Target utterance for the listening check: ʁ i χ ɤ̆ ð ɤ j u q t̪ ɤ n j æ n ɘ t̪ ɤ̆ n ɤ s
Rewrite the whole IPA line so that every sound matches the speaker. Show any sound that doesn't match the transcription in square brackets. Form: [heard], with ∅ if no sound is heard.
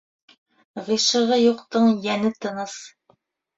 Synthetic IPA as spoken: ʁ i [ʃ] ɤ̆ [ʁ] ɤ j u q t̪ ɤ [ɴ] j æ n ɘ t̪ ɤ̆ n ɤ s

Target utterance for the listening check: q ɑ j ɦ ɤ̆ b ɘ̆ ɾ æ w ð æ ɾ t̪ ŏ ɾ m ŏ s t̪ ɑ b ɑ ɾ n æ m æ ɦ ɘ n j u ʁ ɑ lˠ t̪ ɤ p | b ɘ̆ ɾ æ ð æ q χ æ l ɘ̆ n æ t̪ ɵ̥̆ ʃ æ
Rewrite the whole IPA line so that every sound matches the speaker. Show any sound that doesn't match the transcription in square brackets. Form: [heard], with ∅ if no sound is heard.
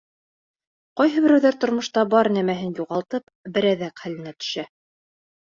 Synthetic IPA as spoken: q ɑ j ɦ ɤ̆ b ɘ̆ ɾ æ w ð æ ɾ t̪ ŏ ɾ m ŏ [ʃ] t̪ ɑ b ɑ ɾ n æ m æ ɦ ɘ n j u ʁ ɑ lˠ t̪ ɤ p | b ɘ̆ ɾ æ ð æ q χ æ l ɘ̆ n æ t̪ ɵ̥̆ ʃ æ

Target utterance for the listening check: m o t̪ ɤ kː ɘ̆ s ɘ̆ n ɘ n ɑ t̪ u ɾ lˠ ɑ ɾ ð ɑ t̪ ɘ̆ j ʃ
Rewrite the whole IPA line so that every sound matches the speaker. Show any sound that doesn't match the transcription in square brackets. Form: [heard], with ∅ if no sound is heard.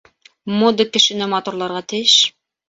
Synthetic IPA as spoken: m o [d̪] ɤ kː ɘ̆ [ʃ] ɘ̆ n ɘ [m] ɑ t̪ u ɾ lˠ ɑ ɾ [ʁ] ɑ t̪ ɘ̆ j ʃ

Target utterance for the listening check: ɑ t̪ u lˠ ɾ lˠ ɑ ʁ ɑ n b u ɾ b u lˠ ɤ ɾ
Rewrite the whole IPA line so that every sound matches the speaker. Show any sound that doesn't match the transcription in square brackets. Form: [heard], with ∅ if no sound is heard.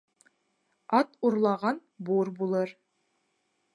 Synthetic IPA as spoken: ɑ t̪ u [∅] ɾ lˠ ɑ ʁ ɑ n b u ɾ b u lˠ ɤ ɾ

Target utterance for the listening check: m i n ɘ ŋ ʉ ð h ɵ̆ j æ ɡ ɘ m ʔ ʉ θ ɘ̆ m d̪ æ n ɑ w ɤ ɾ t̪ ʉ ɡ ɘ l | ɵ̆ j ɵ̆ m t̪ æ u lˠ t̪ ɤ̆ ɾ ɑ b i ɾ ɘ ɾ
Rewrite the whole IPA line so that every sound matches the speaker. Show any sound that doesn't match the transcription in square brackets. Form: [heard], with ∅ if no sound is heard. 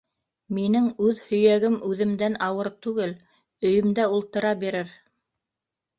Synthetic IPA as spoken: m i n ɘ ŋ ʉ ð h ɵ̆ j æ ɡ ɘ m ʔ ʉ [ð] ɘ̆ m d̪ æ n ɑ w ɤ ɾ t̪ ʉ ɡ ɘ l | ɵ̆ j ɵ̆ m [d̪] æ u lˠ t̪ ɤ̆ ɾ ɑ b i ɾ ɘ ɾ

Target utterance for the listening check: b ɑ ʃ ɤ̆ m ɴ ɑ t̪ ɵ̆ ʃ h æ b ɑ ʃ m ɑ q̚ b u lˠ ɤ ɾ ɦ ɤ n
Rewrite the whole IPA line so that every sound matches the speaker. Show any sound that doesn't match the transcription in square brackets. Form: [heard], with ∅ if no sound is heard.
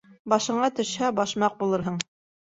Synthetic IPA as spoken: b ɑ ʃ ɤ̆ [∅] ɴ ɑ t̪ ɵ̆ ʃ h æ b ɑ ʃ m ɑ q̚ b u lˠ ɤ ɾ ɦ ɤ [ɴ]

